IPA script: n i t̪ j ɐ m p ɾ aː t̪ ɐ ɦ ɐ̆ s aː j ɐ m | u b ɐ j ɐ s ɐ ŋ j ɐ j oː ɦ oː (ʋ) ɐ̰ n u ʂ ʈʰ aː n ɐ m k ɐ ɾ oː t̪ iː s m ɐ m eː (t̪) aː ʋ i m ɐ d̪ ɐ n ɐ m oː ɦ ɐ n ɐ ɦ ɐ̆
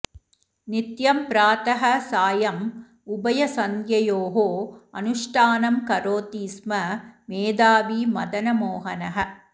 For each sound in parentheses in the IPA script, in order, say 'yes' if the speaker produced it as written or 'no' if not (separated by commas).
no, no